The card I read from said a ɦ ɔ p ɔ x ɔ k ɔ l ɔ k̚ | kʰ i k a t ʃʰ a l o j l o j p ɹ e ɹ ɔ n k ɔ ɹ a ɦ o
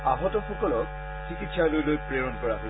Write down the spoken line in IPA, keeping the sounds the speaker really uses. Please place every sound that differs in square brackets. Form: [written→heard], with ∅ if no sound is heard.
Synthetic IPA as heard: a ɦ ɔ [p→t] ɔ x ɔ k ɔ l ɔ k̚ | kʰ i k [a→i] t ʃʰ a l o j l o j p ɹ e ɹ ɔ n k ɔ ɹ a ɦ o